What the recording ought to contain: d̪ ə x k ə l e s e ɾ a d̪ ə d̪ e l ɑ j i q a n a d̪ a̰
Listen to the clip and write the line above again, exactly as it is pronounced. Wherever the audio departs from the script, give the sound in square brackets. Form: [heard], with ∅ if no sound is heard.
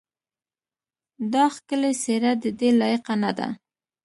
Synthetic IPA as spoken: d̪ [ɑ] x k ə l e s e ɾ a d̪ ə d̪ e l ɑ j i q a n a d̪ a̰